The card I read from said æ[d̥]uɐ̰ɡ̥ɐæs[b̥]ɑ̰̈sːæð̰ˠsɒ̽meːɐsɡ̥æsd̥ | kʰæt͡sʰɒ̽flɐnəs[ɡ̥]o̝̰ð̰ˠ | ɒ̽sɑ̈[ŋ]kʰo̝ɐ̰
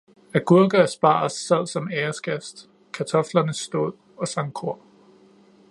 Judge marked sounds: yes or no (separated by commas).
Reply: no, yes, no, yes